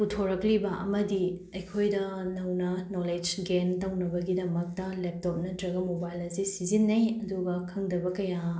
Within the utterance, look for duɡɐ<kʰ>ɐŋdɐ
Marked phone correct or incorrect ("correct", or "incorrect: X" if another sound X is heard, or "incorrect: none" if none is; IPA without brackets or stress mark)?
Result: correct